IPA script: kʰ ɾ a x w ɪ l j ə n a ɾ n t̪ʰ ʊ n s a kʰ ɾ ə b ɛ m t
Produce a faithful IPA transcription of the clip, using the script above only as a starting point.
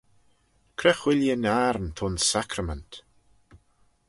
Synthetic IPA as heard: kʰ ɾ ɛ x w ɪ l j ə n a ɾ n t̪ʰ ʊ n s a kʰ ɾ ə m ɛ n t